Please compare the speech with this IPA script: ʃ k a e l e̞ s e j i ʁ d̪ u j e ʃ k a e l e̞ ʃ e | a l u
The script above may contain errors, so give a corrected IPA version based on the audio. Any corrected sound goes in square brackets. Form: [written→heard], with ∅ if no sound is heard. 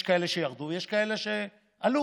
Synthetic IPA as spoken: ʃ k a e l e̞ [s→ʃ] e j [i→a] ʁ d̪ u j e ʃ k a e l e̞ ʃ e | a l u